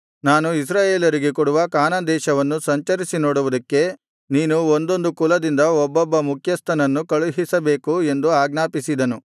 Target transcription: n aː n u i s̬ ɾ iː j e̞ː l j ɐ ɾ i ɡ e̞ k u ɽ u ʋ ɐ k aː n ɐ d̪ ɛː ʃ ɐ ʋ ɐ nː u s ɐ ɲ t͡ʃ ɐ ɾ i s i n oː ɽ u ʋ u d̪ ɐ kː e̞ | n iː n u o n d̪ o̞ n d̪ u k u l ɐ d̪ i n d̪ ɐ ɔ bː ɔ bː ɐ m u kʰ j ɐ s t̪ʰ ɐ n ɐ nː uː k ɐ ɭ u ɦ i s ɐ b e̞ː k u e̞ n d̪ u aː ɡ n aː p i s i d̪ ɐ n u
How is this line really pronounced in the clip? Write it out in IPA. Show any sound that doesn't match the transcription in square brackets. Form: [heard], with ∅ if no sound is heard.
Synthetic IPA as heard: n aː n u i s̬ ɾ [aː] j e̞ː l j ɐ ɾ i ɡ e̞ k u ɽ u ʋ ɐ k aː n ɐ d̪ ɛː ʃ ɐ ʋ ɐ nː u s ɐ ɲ t͡ʃ ɐ ɾ i s i n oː ɽ u ʋ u d̪ ɐ kː e̞ | n iː n u o n d̪ o̞ n d̪ u k u l ɐ d̪ i n d̪ ɐ ɔ bː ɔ bː ɐ m u kʰ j ɐ s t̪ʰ ɐ n ɐ nː [u] k ɐ ɭ u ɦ i s ɐ b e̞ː k u e̞ n d̪ u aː ɡ n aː p i s i d̪ ɐ n u